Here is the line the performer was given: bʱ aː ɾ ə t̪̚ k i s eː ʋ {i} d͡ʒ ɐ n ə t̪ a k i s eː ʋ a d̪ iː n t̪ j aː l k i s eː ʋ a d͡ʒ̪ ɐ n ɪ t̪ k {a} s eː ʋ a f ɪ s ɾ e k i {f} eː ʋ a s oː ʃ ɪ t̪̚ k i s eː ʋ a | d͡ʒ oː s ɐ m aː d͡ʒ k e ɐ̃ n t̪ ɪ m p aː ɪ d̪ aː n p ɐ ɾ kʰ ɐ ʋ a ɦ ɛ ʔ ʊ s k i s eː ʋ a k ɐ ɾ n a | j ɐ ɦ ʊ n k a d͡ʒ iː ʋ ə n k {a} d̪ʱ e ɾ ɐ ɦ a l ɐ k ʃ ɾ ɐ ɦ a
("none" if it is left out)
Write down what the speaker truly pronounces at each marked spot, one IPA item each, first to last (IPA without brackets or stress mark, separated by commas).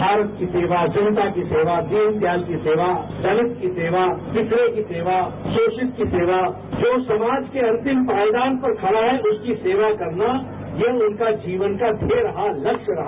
a, i, s, a